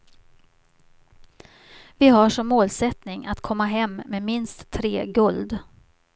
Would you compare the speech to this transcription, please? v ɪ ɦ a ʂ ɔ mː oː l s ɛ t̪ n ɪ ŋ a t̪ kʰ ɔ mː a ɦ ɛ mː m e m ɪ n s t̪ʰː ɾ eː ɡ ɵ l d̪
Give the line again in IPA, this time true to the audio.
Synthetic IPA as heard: v ɪ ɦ a ʂ ɔ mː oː l s ɛ t̪ n ɪ ŋ a t̪ kʰ ɔ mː a ɦ ɛ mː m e m ɪ n s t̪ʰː ɾ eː ɡ ɵ l d̪